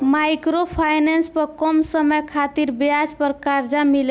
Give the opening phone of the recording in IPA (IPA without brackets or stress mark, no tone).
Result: m